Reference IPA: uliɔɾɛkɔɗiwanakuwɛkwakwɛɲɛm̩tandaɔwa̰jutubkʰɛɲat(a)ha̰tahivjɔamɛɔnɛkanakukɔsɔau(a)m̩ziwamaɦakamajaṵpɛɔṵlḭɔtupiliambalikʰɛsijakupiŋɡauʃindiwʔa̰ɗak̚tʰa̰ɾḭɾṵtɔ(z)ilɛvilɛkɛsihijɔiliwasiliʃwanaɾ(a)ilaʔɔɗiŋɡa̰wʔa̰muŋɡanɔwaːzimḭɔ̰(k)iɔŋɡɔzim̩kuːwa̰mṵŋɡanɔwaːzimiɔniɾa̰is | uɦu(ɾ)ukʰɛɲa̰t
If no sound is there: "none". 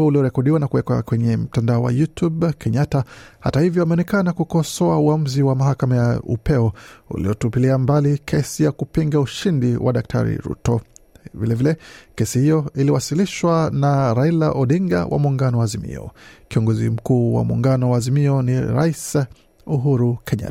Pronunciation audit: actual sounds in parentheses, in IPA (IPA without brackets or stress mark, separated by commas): a, a, v, a, k, ɾ